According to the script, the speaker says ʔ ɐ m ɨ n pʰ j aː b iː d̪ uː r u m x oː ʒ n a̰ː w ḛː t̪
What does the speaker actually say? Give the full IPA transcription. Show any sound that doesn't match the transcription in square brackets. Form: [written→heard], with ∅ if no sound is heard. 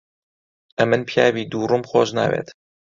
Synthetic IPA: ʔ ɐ m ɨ n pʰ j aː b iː d̪ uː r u m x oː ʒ n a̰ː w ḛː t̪

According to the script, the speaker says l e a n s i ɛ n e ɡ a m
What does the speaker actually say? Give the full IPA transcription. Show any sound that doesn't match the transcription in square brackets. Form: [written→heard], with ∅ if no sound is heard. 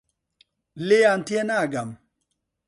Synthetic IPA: l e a n [s→t] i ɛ n [e→a] ɡ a m

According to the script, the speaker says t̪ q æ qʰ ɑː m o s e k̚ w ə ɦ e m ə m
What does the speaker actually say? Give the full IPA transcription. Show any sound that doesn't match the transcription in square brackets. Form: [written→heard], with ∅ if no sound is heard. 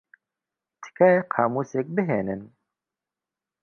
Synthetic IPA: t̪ [q→k] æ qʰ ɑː m [o→u] s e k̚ [w→b] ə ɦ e [m→n] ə [m→n]

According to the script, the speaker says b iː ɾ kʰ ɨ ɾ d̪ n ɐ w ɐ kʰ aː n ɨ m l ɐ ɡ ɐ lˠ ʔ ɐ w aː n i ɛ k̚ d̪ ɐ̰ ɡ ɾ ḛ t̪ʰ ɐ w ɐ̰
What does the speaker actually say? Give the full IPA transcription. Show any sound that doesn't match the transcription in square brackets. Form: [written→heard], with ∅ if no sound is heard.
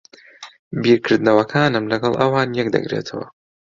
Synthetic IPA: b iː ɾ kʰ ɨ ɾ d̪ n ɐ w ɐ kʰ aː n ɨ m l ɐ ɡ ɐ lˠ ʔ ɐ w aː n [i→j] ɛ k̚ d̪ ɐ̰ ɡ ɾ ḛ t̪ʰ ɐ w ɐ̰

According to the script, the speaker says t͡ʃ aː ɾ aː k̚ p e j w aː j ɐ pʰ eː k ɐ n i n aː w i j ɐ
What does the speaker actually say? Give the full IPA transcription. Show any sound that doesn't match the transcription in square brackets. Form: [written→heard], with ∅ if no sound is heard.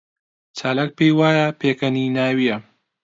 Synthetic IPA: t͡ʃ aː [ɾ→l] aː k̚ p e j w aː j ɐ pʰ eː k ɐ n i n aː w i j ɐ

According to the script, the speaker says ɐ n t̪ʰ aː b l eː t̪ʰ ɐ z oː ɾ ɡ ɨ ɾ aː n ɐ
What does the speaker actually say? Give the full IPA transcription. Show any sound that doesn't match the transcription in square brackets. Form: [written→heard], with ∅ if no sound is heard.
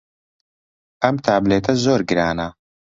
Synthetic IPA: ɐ [n→m] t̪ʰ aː b l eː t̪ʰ ɐ z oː ɾ ɡ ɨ ɾ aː n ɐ

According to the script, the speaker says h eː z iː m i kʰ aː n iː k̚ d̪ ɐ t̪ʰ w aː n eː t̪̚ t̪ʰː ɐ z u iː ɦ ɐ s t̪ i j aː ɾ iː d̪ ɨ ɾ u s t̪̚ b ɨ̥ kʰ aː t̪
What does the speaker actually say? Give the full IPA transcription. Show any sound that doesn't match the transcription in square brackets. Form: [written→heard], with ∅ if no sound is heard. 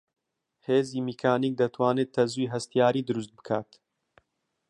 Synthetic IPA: h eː z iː m i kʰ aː n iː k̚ d̪ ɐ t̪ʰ w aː n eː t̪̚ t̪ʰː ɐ z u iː ɦ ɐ s t̪ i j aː ɾ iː d̪ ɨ ɾ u s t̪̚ b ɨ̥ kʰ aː t̪

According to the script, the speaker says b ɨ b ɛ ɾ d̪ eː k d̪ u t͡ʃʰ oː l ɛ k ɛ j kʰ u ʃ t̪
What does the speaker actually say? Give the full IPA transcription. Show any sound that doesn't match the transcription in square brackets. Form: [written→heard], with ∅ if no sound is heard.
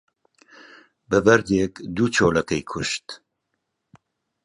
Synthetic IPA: b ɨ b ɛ ɾ d̪ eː k d̪ u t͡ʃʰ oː l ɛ k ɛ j kʰ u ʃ t̪

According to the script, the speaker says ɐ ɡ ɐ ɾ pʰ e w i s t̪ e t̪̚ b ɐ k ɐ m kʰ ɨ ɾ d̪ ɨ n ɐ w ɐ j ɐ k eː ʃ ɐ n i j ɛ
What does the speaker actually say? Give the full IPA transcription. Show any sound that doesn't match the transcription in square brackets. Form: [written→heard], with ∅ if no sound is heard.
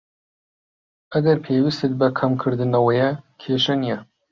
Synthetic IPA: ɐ ɡ ɐ ɾ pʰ e w i s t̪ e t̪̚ b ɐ [k→kʰ] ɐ m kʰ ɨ ɾ d̪ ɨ n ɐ w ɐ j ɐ [k→kʰ] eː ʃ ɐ n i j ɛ

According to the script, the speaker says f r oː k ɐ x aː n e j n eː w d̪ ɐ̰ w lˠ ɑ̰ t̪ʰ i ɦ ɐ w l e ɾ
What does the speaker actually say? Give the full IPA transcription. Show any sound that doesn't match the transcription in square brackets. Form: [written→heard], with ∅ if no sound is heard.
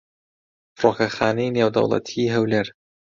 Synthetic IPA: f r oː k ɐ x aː n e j n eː w d̪ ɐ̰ w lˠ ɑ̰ t̪ʰ i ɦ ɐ w l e ɾ

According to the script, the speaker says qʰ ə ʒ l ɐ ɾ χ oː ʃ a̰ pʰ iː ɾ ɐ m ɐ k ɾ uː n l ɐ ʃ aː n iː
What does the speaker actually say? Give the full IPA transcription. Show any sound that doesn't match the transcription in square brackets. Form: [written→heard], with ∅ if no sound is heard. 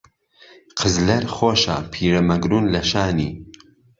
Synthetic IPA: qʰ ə [ʒ→z] l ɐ ɾ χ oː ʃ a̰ pʰ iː ɾ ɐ m ɐ [k→ɡ] ɾ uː n l ɐ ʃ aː n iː

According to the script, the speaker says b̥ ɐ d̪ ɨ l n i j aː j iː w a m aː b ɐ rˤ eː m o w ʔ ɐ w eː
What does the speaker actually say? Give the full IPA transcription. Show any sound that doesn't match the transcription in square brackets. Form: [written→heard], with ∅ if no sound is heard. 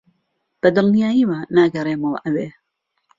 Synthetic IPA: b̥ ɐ d̪ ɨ l n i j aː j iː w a [m→n] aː [b→ɡ] ɐ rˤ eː m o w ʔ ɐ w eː

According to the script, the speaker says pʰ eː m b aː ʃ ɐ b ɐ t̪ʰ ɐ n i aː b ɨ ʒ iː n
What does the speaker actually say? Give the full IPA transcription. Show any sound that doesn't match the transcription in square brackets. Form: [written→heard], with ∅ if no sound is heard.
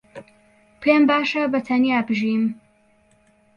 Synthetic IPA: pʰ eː m b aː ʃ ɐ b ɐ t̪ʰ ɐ n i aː b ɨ ʒ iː [n→m]

